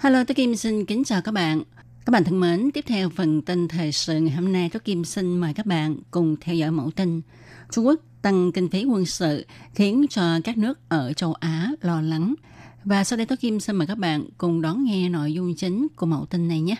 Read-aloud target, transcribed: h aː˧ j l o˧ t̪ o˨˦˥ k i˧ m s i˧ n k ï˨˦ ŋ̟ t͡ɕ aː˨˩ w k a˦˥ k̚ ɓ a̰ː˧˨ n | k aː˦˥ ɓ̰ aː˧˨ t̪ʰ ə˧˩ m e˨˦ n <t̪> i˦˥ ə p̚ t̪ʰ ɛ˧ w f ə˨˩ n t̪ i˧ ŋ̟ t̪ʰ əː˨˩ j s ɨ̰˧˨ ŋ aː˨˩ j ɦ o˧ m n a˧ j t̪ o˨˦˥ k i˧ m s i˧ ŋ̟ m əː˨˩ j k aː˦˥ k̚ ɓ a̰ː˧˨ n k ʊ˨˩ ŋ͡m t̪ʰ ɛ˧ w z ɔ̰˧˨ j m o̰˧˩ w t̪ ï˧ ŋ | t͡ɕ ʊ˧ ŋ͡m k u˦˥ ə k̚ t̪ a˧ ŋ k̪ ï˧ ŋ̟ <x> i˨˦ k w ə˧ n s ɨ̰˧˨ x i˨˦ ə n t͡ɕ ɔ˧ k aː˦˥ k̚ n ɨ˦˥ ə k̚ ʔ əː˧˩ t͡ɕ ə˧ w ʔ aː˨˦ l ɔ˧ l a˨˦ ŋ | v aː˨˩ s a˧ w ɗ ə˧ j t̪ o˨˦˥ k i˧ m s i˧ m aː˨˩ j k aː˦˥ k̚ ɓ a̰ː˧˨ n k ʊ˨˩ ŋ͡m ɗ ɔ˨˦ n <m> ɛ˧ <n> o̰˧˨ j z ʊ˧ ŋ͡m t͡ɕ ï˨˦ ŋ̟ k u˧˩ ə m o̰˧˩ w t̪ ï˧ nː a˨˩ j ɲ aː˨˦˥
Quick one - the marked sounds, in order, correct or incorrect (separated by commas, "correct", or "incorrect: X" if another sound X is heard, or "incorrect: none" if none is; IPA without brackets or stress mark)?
correct, incorrect: f, incorrect: ŋ, correct